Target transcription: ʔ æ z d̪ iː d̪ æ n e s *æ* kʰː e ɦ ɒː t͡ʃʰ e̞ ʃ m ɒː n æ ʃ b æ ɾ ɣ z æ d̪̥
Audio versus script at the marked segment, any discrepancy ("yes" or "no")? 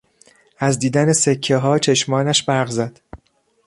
yes